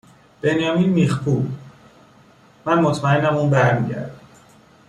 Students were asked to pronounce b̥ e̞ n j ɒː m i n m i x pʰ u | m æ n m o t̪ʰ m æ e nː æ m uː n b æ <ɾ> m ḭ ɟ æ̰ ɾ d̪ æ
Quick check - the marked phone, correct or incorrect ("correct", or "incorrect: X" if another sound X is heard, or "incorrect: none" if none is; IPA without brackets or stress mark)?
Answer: correct